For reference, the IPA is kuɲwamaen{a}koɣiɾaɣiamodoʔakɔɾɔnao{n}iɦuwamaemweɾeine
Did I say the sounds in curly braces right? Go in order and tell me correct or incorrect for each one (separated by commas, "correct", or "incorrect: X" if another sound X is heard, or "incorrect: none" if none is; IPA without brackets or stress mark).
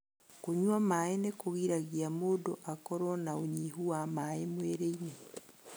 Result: incorrect: e, incorrect: ɲ